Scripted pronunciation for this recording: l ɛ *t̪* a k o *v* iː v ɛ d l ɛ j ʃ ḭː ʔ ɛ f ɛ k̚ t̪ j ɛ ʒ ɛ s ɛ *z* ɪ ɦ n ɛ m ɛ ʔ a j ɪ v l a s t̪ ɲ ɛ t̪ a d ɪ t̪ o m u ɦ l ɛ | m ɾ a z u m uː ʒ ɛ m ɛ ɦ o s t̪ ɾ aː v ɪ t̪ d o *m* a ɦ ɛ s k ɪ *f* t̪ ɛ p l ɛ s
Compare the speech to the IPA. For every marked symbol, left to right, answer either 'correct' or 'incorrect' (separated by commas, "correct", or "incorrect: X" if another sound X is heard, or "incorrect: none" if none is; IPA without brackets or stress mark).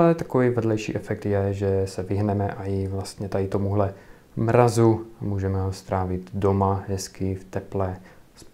correct, correct, incorrect: v, correct, correct